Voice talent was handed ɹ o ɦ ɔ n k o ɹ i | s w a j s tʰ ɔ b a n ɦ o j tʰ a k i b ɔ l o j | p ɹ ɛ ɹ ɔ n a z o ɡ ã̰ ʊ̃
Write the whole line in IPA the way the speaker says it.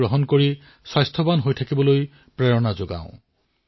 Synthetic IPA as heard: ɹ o ɦ ɔ n k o ɹ i | s w a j s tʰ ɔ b a n ɦ o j tʰ a k i b ɔ l o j | p ɹ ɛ ɹ ɔ n a z o ɡ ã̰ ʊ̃